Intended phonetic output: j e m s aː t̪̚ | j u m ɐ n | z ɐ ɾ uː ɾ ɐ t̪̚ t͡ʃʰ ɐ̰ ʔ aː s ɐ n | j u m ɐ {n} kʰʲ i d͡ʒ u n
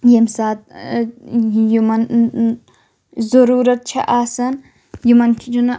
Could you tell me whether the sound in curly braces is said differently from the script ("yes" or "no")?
no